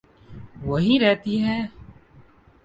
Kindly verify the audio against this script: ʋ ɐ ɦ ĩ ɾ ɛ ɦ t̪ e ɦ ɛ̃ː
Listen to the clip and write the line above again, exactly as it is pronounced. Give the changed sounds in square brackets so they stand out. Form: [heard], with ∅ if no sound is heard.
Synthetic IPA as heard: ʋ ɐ ɦ [i] ɾ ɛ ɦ t̪ [i] ɦ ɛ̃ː